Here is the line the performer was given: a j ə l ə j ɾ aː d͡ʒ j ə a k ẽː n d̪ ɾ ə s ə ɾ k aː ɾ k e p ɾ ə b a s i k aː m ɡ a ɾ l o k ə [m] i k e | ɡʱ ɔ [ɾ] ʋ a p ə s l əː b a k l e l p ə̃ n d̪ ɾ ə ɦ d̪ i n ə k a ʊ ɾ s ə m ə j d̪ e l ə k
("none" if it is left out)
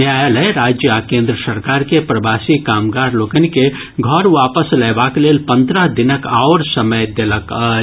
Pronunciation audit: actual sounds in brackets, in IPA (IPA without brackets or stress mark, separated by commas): n, ɾ